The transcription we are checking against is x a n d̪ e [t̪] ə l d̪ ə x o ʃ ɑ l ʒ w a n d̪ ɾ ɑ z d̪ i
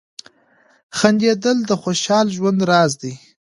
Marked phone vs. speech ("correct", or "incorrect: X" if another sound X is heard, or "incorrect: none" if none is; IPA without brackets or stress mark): incorrect: d̪